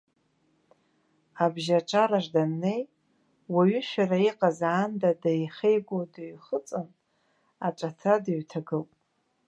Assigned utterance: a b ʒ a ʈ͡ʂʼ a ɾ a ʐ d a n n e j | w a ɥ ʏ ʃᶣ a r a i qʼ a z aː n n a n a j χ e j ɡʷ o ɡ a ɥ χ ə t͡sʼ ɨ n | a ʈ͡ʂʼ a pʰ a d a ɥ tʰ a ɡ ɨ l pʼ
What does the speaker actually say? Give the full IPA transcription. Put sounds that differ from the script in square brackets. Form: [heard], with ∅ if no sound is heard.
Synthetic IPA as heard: a b ʒ a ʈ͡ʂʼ a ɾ a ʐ d a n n e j | w a ɥ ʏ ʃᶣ a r a i qʼ a z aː n [d] a [d] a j χ e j ɡʷ o [d] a ɥ χ ə t͡sʼ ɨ n | a ʈ͡ʂʼ a [tʰ] a d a ɥ tʰ a ɡ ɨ l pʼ

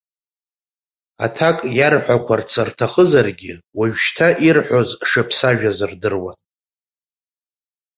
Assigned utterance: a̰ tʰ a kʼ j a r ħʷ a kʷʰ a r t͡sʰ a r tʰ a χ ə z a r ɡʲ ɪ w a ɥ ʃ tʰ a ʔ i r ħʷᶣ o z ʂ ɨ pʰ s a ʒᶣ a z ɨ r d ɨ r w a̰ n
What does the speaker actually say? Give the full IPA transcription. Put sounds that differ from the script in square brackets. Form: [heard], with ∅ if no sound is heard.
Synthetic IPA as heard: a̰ tʰ a kʼ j a r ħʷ a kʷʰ a r t͡sʰ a r tʰ a χ ə z a r ɡʲ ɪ w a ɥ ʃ tʰ a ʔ i r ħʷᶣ o z ʂ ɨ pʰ s a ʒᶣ a z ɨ r d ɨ r w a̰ n

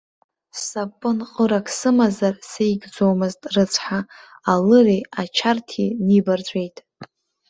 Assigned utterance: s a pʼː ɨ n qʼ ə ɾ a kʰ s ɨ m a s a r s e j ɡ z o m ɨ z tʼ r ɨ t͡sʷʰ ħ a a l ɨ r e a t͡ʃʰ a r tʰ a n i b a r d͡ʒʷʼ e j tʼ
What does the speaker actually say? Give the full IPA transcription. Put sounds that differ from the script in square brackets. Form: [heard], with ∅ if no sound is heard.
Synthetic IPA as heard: s a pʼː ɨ n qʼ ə ɾ a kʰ s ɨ m a [z] a r s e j ɡ [d͡z] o m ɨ z tʼ r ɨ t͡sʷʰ ħ a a l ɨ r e a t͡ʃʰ a r tʰ [i] n i b a r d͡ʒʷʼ e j tʼ

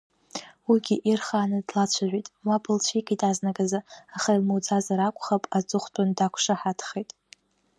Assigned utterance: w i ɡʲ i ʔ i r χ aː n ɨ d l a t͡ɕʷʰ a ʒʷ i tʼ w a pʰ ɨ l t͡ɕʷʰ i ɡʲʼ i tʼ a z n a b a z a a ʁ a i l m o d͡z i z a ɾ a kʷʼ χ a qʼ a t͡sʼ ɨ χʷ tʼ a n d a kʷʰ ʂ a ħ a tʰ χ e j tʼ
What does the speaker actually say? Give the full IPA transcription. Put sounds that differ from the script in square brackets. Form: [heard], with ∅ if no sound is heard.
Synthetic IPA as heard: w i ɡʲ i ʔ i r χ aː n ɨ d l a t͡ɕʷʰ a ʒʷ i tʼ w a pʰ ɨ l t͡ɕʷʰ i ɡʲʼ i tʼ a z n a [ɡ] a z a a [χ] a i l m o d͡z [a] z a ɾ a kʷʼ χ a [pʼ] a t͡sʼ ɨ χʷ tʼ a n d a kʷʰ ʂ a ħ a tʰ χ e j tʼ

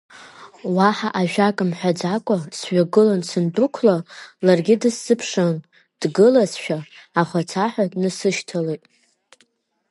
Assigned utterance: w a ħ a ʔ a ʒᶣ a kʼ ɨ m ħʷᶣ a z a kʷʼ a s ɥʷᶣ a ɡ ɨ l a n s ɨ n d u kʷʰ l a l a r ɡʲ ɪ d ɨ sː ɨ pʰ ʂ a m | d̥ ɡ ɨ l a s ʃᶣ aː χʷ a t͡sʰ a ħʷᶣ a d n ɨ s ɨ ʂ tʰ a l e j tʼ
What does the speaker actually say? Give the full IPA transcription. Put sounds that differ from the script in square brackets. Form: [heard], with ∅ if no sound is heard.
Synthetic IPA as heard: w a ħ a ʔ a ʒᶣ a kʼ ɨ m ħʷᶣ a [d͡z] a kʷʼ a s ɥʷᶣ a ɡ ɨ l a n s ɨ n d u kʷʰ l a l a r ɡʲ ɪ d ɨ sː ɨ pʰ ʂ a [n] | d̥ ɡ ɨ l a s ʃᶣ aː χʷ a t͡sʰ a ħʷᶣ a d n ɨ s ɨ [ʃ] tʰ a l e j tʼ

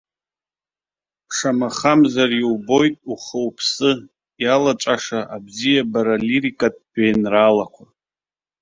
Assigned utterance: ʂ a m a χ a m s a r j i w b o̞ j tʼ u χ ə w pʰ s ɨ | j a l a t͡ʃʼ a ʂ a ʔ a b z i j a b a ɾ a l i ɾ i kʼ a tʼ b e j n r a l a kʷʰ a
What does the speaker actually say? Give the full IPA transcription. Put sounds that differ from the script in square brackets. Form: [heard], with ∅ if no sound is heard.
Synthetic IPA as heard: ʂ a m a χ a m [z] a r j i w b o̞ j tʼ u χ ə w pʰ s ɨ | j a l a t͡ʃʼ a ʂ a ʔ a b z i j a b a ɾ a l i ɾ i kʼ a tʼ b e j n r a l a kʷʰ a

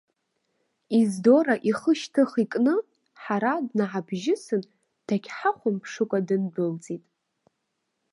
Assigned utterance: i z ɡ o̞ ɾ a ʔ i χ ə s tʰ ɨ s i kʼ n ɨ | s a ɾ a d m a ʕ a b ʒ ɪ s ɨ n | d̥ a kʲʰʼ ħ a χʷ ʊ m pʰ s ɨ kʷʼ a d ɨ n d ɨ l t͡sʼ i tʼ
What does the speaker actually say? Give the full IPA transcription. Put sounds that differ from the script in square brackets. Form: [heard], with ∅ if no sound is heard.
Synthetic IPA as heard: i z [d] o̞ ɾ a ʔ i χ ə [ʃ] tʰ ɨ [χ] i kʼ n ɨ | [ħ] a ɾ a d [n] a ʕ a b ʒ ɪ s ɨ n | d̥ a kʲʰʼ ħ a χʷ ʊ m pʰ [ʂ] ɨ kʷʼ a d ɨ n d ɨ l t͡sʼ i tʼ

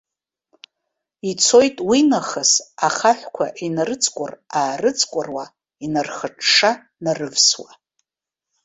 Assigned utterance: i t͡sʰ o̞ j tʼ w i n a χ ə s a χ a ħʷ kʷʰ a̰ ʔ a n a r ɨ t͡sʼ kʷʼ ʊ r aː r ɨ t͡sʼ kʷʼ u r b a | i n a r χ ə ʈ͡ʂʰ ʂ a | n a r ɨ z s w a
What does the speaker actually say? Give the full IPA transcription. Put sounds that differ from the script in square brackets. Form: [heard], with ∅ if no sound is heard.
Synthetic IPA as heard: i t͡sʰ o̞ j tʼ w i n a χ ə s a χ a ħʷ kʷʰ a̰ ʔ [i] n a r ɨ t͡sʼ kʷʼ ʊ r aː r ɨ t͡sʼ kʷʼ [ʊ] r [w] a | i n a r χ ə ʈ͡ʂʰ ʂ a | n a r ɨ [v] s w a

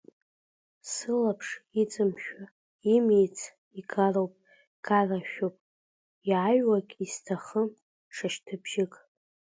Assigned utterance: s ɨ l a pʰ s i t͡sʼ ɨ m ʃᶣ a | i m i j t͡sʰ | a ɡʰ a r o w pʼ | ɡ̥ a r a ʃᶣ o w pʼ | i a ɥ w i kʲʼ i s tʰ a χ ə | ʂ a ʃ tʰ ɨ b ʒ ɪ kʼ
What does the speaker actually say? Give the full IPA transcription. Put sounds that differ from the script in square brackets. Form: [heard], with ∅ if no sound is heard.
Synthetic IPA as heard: s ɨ l a pʰ [ʂ] i t͡sʼ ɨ m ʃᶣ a | i m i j t͡sʰ | [i] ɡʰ a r o w pʼ | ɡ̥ a r a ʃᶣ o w pʼ | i a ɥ w [a] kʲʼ i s tʰ a χ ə | ʂ a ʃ tʰ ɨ b ʒ ɪ kʼ

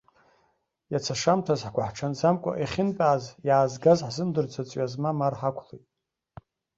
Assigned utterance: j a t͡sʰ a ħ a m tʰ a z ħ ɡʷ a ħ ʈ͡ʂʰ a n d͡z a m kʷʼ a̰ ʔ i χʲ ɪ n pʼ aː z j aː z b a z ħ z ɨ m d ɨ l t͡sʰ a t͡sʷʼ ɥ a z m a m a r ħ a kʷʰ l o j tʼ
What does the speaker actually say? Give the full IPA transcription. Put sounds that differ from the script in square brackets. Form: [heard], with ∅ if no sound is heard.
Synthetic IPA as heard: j a t͡sʰ a [ʂ] a m tʰ a z ħ ɡʷ a ħ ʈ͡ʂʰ a n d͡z a m kʷʼ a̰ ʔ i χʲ ɪ n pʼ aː z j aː z [ɡ] a z ħ z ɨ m d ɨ [r] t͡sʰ a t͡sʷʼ ɥ a z m a m a r ħ a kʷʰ l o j tʼ

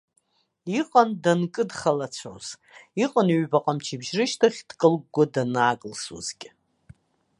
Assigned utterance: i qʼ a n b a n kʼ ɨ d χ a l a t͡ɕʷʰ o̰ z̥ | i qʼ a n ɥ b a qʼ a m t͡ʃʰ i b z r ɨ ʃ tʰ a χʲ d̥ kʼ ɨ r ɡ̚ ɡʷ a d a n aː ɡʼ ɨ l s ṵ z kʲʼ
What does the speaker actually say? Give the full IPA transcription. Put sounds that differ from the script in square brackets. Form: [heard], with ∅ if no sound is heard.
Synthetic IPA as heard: i qʼ a n [d] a n kʼ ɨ d χ a l a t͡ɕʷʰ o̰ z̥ | i qʼ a n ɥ b a qʼ a m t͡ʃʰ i b [ʒ] r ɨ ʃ tʰ a χʲ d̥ kʼ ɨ [l] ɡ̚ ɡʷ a d a n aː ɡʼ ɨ l s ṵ z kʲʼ

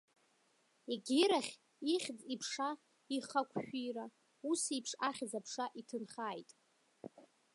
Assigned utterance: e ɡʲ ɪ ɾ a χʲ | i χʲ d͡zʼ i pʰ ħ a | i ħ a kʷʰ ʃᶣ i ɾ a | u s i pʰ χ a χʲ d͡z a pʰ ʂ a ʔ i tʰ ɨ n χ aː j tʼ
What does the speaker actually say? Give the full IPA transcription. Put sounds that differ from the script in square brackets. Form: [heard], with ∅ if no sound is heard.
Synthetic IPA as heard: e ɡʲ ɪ ɾ a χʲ | i χʲ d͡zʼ i pʰ [ʂ] a | i [χ] a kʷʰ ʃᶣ i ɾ a | u s i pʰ [ʂ] a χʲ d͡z a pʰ ʂ a ʔ i tʰ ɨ n χ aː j tʼ

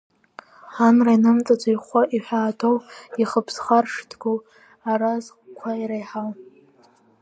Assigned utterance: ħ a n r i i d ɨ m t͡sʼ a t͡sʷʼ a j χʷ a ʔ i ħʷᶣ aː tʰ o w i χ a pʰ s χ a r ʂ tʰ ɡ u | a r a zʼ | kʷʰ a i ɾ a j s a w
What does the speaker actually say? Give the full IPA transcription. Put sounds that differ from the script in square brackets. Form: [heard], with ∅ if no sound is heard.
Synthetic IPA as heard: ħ a n r [a] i [n] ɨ m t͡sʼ a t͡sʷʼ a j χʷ a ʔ i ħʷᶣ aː tʰ o w i χ [ə] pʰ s χ a r ʂ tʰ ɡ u | a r a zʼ | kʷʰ a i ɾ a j [ħ] a w

